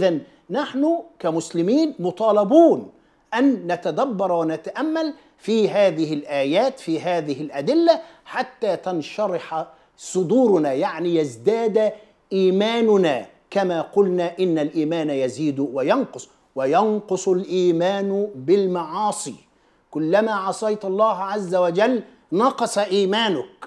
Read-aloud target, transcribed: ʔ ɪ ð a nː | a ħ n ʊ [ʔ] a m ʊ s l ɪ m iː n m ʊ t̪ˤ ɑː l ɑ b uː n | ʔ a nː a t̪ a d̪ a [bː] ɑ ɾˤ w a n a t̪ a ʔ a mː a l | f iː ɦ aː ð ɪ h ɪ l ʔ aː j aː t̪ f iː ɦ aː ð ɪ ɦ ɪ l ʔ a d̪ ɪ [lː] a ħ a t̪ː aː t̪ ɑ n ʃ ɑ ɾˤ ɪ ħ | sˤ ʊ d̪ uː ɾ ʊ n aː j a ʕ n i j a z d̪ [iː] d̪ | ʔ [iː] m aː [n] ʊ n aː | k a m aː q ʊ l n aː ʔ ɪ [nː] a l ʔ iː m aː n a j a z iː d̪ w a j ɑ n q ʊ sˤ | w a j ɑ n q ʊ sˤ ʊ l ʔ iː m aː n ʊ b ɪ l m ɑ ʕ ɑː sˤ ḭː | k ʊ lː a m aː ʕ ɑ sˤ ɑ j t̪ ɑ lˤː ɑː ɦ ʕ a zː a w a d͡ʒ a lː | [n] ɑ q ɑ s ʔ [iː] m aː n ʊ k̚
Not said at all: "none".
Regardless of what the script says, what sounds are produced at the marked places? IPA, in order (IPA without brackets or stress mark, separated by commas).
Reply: k, bː, lː, aː, iː, n, nː, n, iː